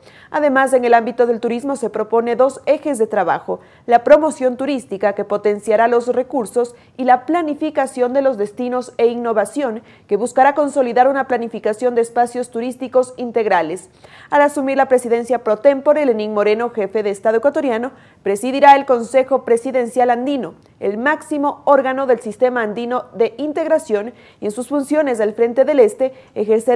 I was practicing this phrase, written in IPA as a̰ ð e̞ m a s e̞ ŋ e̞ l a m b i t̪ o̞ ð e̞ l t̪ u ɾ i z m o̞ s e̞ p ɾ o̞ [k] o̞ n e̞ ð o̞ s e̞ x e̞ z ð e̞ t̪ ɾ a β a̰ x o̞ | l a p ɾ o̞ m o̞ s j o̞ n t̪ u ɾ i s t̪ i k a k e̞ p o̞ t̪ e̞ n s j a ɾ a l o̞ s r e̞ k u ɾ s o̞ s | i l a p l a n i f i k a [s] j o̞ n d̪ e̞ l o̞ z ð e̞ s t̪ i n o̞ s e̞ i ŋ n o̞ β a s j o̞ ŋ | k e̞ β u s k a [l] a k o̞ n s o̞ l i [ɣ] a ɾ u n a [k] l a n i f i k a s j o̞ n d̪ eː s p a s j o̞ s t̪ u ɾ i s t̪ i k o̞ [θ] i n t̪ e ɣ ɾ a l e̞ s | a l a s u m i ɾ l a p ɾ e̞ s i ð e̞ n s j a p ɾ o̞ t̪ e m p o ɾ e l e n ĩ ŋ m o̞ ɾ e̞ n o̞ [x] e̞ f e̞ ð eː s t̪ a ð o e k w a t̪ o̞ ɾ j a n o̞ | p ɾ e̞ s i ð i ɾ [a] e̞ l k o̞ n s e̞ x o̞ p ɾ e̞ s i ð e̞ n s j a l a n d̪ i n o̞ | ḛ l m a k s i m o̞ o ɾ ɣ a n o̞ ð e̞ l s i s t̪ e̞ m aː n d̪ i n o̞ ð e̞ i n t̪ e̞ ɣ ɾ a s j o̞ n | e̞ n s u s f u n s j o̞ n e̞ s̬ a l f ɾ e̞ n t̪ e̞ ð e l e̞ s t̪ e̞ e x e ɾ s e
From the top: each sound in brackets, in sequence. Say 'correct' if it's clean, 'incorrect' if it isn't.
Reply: incorrect: p, correct, incorrect: ɾ, incorrect: ð, incorrect: p, incorrect: s, correct, correct

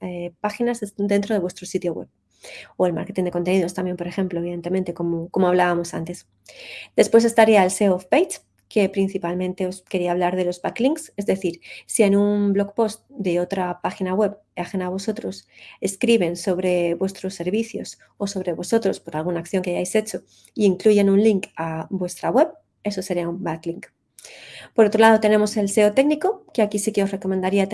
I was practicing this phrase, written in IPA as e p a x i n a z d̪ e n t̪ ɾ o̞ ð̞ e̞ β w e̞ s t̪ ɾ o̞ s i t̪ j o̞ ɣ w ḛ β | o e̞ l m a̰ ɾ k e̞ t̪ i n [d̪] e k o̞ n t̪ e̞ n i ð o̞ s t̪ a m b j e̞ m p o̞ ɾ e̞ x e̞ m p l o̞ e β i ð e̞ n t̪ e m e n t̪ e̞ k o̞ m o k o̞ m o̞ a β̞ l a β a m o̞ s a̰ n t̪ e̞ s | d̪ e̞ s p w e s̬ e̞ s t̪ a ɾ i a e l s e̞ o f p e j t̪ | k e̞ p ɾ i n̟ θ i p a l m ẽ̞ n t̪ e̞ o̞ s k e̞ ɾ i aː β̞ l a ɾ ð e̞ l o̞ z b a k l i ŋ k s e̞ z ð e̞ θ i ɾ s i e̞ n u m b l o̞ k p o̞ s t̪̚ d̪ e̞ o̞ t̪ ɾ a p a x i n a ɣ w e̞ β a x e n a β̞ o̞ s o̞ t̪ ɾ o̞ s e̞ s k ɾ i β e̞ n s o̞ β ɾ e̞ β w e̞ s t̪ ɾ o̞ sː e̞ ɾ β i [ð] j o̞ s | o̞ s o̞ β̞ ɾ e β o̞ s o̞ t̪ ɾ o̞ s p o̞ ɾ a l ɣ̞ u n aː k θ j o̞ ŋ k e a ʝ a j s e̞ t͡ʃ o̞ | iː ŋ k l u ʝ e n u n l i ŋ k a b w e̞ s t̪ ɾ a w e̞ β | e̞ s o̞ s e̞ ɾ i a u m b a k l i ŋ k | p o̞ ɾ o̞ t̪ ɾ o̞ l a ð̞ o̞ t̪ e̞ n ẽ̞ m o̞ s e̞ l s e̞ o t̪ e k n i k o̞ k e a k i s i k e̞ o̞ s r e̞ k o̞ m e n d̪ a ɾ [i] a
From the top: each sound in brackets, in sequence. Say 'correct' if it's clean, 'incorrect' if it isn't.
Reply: correct, incorrect: θ, correct

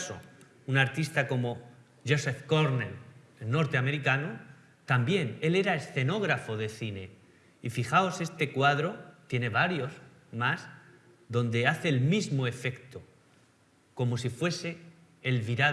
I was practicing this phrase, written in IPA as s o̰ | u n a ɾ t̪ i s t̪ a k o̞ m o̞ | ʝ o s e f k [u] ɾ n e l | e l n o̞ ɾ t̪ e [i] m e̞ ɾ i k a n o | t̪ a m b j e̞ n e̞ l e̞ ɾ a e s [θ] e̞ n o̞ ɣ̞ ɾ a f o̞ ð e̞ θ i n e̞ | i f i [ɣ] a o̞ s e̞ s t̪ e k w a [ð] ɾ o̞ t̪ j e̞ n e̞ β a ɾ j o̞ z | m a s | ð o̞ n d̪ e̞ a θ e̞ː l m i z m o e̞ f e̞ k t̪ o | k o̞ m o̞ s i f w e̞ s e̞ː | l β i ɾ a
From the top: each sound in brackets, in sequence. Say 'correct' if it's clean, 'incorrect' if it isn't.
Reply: incorrect: o, incorrect: a, correct, incorrect: x, correct

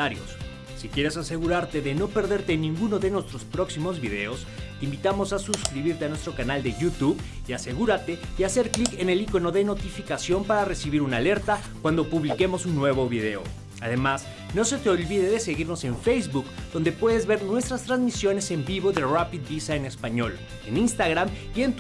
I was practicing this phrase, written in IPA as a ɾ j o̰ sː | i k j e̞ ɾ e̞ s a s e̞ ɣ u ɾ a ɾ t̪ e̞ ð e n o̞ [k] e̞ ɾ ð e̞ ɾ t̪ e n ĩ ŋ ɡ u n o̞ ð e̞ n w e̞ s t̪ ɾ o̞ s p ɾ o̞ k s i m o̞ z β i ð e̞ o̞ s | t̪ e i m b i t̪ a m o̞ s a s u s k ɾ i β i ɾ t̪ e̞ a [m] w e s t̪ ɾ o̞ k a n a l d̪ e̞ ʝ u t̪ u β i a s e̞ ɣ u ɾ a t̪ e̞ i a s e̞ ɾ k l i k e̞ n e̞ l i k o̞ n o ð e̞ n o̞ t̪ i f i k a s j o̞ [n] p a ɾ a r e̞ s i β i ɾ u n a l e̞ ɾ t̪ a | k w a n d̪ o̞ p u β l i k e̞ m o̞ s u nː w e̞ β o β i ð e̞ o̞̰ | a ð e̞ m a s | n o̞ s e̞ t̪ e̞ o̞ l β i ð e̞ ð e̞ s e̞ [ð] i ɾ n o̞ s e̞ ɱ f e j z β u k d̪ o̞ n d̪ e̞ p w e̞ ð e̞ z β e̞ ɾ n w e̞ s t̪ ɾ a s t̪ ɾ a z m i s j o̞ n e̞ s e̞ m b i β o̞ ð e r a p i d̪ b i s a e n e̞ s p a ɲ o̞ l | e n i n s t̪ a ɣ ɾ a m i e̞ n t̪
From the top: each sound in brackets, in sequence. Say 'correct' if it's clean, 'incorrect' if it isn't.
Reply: incorrect: p, incorrect: n, incorrect: m, incorrect: ɣ

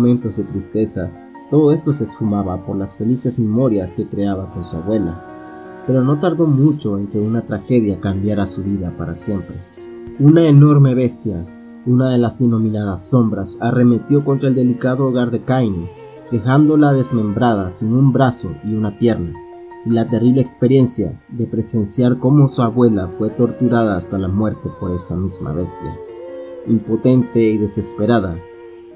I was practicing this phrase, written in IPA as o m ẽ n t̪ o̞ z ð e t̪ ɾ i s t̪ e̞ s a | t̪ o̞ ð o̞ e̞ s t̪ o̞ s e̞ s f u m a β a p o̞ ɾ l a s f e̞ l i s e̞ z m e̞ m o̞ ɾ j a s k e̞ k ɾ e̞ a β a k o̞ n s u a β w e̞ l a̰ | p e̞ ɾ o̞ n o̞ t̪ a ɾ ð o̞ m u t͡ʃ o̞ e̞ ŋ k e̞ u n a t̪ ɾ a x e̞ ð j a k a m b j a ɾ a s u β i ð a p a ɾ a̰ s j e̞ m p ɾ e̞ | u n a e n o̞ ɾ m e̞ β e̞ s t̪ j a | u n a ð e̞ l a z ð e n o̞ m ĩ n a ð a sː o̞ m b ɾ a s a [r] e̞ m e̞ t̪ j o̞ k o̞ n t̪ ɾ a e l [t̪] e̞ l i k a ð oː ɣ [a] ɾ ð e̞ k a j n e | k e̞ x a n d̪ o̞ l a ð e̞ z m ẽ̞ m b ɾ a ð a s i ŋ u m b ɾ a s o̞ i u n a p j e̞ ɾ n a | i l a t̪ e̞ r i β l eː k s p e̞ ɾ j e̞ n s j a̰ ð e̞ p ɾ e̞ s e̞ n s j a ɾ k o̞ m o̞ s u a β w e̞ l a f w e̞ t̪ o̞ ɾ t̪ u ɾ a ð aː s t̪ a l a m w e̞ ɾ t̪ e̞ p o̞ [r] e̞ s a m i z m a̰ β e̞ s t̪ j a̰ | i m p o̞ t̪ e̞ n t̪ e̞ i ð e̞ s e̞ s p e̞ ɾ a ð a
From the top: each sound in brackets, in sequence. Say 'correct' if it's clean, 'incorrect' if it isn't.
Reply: correct, incorrect: d̪, correct, incorrect: ɾ

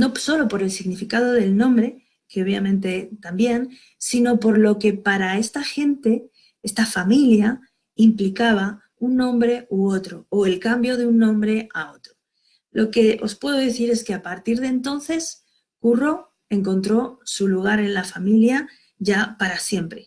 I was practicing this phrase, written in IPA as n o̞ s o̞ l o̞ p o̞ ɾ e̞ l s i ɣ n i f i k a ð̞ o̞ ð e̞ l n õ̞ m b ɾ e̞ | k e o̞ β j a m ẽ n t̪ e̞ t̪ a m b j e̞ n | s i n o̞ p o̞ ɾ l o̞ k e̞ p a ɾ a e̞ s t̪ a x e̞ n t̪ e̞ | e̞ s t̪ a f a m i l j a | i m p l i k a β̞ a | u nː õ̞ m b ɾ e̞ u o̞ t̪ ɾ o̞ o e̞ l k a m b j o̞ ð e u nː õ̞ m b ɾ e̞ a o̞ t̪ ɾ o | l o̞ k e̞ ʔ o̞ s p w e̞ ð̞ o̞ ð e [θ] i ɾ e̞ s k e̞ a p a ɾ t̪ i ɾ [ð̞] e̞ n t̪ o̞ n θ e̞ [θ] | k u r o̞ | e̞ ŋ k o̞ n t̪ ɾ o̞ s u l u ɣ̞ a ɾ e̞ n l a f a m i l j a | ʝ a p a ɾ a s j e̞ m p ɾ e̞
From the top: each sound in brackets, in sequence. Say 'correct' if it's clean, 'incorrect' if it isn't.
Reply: correct, correct, incorrect: s

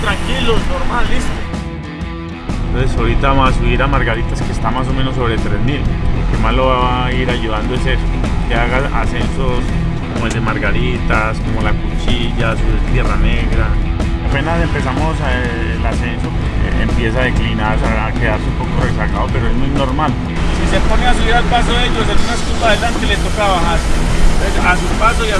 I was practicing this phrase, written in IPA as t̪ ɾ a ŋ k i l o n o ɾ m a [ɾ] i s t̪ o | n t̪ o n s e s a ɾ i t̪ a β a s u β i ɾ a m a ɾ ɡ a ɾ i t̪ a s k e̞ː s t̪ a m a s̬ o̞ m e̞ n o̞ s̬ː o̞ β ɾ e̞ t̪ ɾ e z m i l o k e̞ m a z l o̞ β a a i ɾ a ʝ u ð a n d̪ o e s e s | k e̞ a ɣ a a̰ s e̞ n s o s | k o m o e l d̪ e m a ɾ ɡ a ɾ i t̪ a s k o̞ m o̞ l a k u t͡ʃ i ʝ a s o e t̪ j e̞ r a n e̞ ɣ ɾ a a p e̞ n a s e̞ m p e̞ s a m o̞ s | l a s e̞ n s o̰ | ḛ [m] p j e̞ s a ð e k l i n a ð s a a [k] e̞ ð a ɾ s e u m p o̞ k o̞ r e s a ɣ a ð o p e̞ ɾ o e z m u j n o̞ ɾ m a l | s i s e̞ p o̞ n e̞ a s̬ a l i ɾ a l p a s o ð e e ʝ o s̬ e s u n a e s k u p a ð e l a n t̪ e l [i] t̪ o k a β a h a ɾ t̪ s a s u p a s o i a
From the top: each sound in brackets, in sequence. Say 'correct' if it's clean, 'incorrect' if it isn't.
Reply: incorrect: l, correct, correct, incorrect: e

